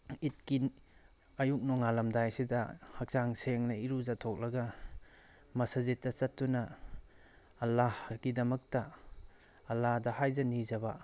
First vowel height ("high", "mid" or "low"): high